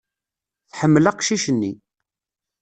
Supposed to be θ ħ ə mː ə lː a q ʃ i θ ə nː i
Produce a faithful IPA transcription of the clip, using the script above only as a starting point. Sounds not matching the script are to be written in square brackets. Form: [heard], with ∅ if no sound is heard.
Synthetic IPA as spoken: θ ħ ə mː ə [l] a q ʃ i [ʃ] ə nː i